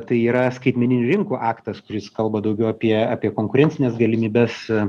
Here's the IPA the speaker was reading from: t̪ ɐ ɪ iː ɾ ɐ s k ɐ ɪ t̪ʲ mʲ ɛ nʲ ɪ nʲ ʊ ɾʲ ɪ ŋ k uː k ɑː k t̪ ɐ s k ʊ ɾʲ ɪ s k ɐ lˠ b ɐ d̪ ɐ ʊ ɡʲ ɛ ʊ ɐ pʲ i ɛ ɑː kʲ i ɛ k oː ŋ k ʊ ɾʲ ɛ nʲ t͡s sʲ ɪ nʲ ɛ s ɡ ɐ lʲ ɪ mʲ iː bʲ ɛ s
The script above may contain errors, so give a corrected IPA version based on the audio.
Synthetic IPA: t̪ ɐ ɪ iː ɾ ɐ s k ɐ ɪ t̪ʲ mʲ ɛ nʲ ɪ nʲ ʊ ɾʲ ɪ ŋ k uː ʔ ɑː k t̪ ɐ s k ʊ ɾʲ ɪ s k ɐ lˠ b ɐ d̪ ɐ ʊ ɡʲ ɛ ʊ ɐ pʲ i ɛ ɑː pʲ i ɛ k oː ŋ k ʊ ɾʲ ɛ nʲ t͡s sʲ ɪ nʲ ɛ s ɡ ɐ lʲ ɪ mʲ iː bʲ ɛ s

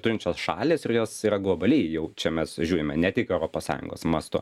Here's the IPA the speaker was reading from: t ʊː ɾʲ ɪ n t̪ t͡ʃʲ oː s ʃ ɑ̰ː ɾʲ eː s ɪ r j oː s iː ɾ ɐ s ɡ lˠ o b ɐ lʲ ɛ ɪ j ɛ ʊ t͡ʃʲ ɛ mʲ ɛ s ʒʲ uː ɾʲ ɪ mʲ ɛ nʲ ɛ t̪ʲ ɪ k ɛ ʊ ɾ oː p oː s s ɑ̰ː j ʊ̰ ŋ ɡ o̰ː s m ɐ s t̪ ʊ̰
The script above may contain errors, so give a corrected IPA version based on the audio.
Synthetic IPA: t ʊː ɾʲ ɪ n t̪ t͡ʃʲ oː s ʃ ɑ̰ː lʲ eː s ɪ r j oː s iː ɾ ɐ ɡ lˠ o b ɐ lʲ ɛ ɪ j ɛ ʊ t͡ʃʲ ɛ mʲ ɛ s ʒʲ uː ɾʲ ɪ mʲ ɛ nʲ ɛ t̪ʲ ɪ k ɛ ʊ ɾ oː p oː s s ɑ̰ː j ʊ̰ ŋ ɡ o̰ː s m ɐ s t̪ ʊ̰

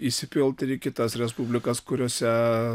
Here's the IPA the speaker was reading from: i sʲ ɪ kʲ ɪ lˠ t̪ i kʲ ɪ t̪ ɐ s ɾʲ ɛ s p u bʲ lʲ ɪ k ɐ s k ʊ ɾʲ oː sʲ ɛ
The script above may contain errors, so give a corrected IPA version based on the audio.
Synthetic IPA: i sʲ ɪ pʲ ɪ lˠ t̪ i kʲ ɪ t̪ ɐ s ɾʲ ɛ s p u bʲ lʲ ɪ k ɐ s k ʊ ɾʲ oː sʲ ɛ

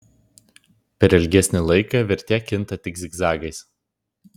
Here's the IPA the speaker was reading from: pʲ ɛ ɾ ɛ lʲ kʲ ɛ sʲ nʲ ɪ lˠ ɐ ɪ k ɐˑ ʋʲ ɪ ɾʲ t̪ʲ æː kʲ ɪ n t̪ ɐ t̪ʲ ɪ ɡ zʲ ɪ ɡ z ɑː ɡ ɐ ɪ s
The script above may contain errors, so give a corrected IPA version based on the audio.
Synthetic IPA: pʲ ɛ ɾ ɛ lʲ ɡʲ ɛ sʲ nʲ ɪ lˠ ɐ ɪ k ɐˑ ʋʲ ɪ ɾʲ t̪ʲ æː kʲ ɪ n t̪ ɐ t̪ʲ ɪ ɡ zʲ ɪ ɡ z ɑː ɡ ɐ ɪ s

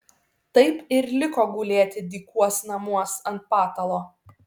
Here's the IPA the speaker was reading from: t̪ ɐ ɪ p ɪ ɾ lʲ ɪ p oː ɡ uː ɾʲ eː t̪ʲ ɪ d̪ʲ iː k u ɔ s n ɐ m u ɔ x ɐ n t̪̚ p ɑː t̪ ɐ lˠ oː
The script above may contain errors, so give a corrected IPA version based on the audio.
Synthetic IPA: t̪ ɐ ɪ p ɪ ɾ lʲ ɪ k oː ɡ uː lʲ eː t̪ʲ ɪ d̪ʲ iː k u ɔ s n ɐ m u ɔ s ɐ n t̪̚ p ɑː t̪ ɐ lˠ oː

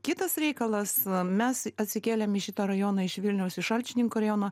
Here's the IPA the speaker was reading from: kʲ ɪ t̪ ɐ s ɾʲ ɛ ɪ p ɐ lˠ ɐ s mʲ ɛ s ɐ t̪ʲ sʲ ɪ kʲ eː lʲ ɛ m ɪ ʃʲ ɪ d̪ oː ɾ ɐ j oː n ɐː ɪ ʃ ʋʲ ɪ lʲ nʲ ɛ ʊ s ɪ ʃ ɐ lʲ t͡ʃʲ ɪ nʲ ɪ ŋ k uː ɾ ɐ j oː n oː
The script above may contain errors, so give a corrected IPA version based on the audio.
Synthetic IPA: kʲ ɪ t̪ ɐ s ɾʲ ɛ ɪ k ɐ lˠ ɐ s mʲ ɛ s ɐ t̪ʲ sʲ ɪ kʲ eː lʲ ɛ m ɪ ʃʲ ɪ t̪ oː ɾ ɐ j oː n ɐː ɪ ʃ ʋʲ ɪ lʲ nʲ ɛ ʊ s ɪ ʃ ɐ lʲ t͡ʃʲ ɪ nʲ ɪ ŋ k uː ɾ ɐ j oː n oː

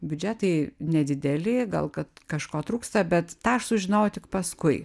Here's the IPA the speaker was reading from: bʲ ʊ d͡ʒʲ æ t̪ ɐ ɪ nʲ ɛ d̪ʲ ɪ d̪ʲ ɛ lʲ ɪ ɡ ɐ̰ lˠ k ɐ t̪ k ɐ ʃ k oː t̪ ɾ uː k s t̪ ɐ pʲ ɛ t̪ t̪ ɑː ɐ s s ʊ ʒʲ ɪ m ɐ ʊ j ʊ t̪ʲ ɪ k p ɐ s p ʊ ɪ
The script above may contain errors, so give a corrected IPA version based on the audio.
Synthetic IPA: bʲ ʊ d͡ʒʲ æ t̪ ɐ ɪ nʲ ɛ d̪ʲ ɪ d̪ʲ ɛ lʲ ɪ ɡ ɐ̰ lˠ k ɐ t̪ k ɐ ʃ k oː t̪ ɾ uː k s t̪ ɐ bʲ ɛ t̪ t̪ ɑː ɐ ʃ s ʊ ʒʲ ɪ n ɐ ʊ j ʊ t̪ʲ ɪ k p ɐ s k ʊ ɪ

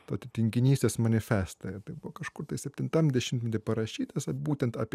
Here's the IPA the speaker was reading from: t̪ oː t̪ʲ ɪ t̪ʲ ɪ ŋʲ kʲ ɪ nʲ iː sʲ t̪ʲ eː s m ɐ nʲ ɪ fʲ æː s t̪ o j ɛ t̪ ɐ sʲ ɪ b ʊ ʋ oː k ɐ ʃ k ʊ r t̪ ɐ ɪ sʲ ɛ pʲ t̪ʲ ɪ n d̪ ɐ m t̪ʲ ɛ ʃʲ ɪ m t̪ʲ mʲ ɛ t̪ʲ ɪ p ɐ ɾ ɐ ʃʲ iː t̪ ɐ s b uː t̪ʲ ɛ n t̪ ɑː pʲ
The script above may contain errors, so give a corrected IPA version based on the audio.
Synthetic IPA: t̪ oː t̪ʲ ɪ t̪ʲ ɪ ŋʲ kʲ ɪ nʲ iː sʲ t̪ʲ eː s m ɐ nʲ ɪ fʲ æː s t̪ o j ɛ t̪ ɐ ɪ b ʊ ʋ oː k ɐ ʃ k ʊ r t̪ ɐ ɪ sʲ ɛ pʲ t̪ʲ ɪ n t̪ ɐ m d̪ʲ ɛ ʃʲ ɪ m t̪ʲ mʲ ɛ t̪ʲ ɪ p ɐ ɾ ɐ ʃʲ iː t̪ ɐ s b uː t̪ʲ ɛ n t̪ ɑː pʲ

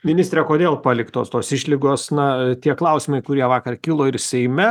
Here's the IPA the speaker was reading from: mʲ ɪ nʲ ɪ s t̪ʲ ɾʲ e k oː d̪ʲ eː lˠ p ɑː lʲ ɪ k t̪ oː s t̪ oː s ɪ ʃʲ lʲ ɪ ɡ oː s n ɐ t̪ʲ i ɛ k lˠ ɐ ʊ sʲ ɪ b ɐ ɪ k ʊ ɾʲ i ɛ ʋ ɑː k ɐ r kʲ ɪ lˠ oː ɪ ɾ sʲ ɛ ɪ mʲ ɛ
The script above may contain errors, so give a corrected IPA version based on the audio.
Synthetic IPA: mʲ ɪ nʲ ɪ s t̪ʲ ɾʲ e k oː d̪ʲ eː lˠ p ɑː lʲ ɪ k t̪ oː s t̪ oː s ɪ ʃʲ lʲ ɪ ɡ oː s n ɐ t̪ʲ i ɛ k lˠ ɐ ʊ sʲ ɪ m ɐ ɪ k ʊ ɾʲ i ɛ ʋ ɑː k ɐ r kʲ ɪ lˠ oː ɪ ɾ sʲ ɛ ɪ mʲ ɛ

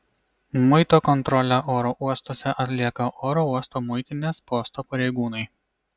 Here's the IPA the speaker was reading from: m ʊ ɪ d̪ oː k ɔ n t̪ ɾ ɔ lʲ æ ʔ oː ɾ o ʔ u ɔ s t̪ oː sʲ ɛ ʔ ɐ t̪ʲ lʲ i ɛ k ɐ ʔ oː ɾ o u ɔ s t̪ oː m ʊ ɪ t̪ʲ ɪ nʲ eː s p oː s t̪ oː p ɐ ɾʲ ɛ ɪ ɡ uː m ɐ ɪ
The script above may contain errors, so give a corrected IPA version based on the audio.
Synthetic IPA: m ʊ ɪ t̪ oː k ɔ n t̪ ɾ ɔ lʲ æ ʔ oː ɾ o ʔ u ɔ s t̪ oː sʲ ɛ ʔ ɐ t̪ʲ lʲ i ɛ k ɐ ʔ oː ɾ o u ɔ s t̪ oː m ʊ ɪ t̪ʲ ɪ nʲ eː s p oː s t̪ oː p ɐ ɾʲ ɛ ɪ ɡ uː n ɐ ɪ

